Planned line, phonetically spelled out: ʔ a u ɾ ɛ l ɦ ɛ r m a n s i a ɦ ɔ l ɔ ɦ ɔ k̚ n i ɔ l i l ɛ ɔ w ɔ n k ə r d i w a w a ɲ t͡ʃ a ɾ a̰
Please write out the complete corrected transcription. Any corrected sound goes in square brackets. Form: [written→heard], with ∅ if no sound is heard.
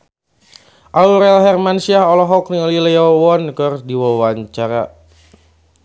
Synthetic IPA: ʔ a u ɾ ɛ l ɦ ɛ r m a n s i a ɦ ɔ l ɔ ɦ ɔ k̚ n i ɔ l i l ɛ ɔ w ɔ n k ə r d i w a w a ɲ t͡ʃ a ɾ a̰